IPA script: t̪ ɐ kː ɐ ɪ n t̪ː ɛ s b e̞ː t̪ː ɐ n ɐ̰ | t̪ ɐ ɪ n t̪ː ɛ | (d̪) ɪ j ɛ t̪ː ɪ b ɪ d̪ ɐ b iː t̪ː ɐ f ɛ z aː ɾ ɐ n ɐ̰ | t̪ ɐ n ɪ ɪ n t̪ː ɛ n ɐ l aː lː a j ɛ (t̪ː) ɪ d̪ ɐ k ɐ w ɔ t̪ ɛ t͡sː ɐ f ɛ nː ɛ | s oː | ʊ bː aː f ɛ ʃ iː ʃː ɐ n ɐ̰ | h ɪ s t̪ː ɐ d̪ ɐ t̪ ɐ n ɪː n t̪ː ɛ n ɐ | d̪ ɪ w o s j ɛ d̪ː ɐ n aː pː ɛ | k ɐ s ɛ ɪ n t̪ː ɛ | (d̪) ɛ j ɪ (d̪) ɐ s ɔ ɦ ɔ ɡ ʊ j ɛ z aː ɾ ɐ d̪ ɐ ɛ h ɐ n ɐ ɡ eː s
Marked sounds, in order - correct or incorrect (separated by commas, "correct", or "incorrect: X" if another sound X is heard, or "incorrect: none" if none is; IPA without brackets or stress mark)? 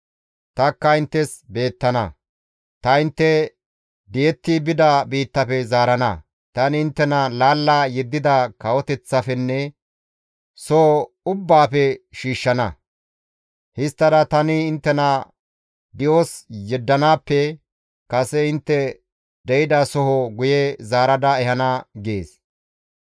correct, incorrect: d̪ː, correct, correct